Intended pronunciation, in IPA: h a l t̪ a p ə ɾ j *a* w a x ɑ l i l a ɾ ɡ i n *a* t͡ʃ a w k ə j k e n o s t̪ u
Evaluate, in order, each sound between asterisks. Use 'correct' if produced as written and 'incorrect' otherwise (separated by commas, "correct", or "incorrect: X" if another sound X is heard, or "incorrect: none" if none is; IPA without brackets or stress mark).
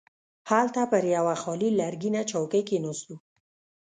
correct, correct